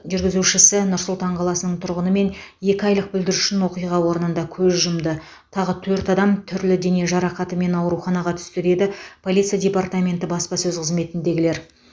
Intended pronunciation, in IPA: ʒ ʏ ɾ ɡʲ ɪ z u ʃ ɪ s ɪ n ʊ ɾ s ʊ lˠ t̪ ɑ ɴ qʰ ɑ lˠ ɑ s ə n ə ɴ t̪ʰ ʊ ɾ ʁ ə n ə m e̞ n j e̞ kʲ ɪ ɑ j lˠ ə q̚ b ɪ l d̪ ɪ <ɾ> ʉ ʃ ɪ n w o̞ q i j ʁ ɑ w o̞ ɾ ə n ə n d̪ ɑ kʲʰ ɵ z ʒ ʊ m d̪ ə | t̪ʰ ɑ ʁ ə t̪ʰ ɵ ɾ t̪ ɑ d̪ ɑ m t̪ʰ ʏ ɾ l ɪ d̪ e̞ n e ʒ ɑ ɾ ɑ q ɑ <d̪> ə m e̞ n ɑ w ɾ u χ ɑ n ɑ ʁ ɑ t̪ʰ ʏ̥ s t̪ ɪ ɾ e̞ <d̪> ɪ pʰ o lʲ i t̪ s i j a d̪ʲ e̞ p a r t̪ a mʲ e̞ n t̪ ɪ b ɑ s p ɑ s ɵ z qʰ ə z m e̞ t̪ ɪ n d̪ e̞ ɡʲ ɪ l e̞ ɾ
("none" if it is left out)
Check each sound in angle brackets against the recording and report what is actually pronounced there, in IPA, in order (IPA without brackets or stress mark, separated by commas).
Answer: ɾ, t̪, d̪